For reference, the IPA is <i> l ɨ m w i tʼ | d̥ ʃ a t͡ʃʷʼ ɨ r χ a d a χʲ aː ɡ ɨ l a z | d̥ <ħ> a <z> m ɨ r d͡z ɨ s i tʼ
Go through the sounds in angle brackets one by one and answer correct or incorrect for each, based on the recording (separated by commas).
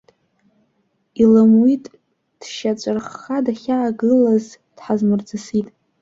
correct, correct, correct